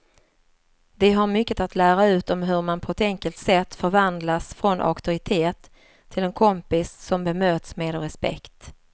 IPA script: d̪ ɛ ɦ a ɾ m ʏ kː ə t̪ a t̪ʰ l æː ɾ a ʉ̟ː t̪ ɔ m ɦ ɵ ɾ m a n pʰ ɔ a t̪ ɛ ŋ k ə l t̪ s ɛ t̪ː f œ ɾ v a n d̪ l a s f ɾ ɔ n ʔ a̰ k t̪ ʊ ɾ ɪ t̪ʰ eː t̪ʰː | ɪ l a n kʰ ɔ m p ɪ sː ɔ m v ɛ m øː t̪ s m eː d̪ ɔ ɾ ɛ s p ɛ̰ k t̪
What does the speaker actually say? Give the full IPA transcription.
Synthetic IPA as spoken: d̪ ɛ ɦ a ɾ m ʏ kː ə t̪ a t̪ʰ l æː ɾ a ʉ̟ː t̪ ɔ m ɦ ɵ ɾ m a n pʰ ɔ ɛ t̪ ɛ ŋ k ə l t̪ s ɛ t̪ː f œ ɾ v a n d̪ l a s f ɾ ɔ n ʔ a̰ k t̪ ʊ ɾ ɪ t̪ʰ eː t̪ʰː | ɪ l ɛ n kʰ ɔ m p ɪ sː ɔ m b ɛ m øː t̪ s m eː d̪ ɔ ɾ ɛ s p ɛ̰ k t̪